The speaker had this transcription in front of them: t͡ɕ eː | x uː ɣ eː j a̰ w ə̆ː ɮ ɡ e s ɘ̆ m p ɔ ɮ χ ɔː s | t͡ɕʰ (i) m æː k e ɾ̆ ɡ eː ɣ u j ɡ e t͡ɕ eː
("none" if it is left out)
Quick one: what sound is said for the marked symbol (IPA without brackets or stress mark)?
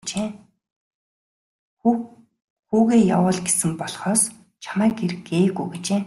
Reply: a